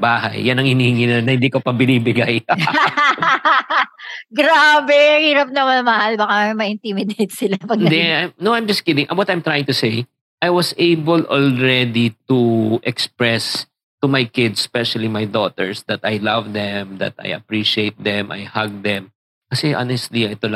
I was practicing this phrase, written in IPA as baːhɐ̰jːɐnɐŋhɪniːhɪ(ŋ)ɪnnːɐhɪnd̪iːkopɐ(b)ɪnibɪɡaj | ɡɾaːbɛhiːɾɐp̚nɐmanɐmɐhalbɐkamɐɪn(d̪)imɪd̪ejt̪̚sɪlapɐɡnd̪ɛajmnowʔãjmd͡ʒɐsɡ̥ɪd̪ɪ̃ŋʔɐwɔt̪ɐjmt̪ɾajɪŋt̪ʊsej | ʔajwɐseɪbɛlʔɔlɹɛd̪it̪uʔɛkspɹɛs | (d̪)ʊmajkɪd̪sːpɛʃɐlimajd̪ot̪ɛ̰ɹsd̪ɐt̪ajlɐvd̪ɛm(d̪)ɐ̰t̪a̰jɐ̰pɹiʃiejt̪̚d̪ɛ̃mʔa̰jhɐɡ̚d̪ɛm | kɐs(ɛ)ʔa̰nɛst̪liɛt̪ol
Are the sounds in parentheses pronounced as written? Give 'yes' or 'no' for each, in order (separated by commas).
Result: yes, yes, no, no, yes, yes